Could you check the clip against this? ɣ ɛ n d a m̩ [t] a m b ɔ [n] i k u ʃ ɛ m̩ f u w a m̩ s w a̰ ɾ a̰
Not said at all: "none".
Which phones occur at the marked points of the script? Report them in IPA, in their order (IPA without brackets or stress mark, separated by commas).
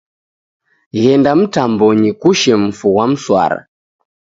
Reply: t, ɲ